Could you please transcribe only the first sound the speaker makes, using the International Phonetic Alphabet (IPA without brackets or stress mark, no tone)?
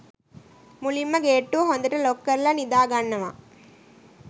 m